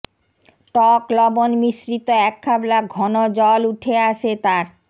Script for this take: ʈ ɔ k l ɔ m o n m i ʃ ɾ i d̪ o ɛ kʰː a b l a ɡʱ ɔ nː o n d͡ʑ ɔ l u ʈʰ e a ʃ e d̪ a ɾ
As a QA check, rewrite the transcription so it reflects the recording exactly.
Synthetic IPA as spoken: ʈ ɔ k l ɔ b o n m i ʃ ɾ i t̪ o ɛ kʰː a b l a ɡʱ ɔ n o d͡ʑ ɔ l u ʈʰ e a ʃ e t̪ a ɾ

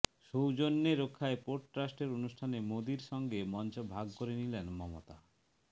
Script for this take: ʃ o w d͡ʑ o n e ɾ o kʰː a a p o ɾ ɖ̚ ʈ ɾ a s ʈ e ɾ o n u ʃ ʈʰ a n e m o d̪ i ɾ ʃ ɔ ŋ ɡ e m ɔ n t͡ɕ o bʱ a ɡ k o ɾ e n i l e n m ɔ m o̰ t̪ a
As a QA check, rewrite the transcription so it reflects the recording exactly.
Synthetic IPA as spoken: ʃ o w d͡ʑ o nː e ɾ o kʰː a e p o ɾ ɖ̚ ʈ ɾ a s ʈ e ɾ o n u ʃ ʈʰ a n e m o d̪ i ɾ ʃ ɔ ŋ ɡ e m ɔ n t͡ɕ o bʱ a ɡ k o ɾ e n i l e n m ɔ m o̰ t̪ a

